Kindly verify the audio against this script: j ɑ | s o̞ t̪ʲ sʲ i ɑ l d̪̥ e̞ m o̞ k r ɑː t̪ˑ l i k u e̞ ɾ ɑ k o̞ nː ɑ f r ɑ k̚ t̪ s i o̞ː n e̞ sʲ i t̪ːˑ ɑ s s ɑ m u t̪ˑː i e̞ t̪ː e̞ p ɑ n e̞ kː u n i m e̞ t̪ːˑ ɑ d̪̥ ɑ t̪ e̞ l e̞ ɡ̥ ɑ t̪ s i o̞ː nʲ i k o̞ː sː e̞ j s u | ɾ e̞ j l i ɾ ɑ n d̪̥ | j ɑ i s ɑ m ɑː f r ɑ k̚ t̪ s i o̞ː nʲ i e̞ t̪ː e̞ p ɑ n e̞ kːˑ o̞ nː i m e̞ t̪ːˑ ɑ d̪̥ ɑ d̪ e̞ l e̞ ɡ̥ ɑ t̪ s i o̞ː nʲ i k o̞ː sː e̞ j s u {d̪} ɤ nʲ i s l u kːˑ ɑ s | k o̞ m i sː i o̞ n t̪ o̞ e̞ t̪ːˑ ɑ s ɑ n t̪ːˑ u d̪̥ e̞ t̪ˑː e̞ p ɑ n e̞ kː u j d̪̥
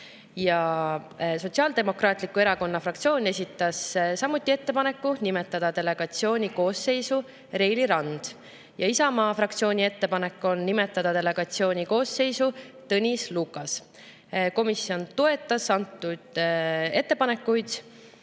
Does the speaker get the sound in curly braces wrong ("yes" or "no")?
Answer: yes